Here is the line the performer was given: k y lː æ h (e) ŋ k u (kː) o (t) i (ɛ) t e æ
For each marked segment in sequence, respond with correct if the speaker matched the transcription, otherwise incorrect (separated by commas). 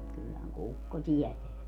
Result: incorrect, correct, correct, correct